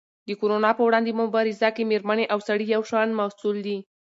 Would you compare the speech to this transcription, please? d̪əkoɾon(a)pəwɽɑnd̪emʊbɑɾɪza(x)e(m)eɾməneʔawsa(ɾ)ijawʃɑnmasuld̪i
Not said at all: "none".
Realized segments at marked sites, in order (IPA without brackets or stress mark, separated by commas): ɑ, k, m, ɽ